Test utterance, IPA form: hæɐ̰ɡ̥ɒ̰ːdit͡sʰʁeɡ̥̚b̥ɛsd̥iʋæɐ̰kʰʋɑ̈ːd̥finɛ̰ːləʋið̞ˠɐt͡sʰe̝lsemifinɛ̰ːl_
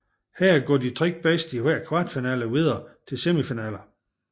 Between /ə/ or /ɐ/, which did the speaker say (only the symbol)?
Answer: ɐ